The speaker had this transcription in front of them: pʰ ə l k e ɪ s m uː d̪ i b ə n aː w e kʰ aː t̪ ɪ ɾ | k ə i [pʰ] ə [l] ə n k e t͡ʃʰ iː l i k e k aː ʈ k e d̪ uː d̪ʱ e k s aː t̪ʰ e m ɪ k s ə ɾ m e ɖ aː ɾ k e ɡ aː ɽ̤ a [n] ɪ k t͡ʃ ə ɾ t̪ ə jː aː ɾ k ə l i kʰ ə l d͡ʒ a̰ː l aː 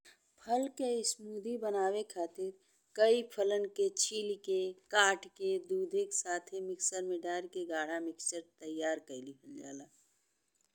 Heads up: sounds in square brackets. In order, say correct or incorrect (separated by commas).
correct, correct, incorrect